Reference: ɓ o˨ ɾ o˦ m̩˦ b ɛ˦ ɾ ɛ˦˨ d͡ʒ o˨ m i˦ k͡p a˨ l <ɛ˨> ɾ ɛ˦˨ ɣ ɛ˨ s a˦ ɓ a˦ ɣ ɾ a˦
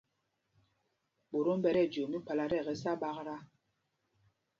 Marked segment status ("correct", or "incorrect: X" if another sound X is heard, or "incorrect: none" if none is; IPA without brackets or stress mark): incorrect: a˨